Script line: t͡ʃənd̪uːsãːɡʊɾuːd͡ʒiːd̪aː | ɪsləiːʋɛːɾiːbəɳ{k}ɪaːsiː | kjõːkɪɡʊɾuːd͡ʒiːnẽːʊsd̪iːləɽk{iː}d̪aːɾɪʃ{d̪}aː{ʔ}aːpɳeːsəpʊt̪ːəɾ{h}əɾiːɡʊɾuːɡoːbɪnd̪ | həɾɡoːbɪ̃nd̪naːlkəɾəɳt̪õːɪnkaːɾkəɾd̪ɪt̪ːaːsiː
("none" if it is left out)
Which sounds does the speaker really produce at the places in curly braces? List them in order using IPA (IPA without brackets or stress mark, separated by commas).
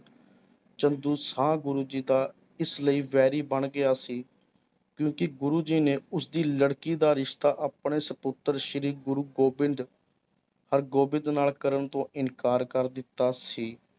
ɡ, iː, t̪, ʔ, ʃ